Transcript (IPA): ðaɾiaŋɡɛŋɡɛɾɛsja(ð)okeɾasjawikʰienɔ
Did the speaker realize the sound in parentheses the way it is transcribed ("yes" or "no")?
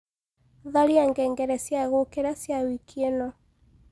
no